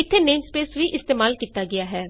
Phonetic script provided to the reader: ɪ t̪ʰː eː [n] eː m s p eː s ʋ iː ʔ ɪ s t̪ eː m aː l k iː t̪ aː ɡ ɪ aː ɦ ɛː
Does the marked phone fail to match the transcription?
no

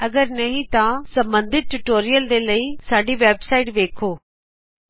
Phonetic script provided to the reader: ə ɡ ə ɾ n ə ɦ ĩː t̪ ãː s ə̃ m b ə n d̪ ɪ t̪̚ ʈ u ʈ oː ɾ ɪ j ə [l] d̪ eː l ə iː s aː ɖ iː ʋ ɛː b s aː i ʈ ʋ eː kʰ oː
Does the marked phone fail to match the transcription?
no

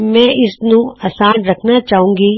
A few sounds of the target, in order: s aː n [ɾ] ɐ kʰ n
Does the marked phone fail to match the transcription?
no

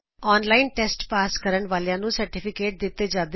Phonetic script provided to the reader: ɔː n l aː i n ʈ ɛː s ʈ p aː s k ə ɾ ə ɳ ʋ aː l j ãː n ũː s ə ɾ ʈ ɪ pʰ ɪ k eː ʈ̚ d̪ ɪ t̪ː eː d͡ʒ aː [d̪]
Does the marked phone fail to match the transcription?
no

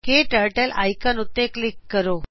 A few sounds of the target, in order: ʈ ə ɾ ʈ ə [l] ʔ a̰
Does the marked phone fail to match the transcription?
no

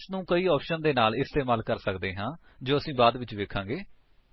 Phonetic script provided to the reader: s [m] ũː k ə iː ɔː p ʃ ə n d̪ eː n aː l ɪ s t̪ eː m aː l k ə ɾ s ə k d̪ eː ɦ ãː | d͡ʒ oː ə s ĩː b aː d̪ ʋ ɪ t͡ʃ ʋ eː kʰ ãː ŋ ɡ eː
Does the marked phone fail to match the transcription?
yes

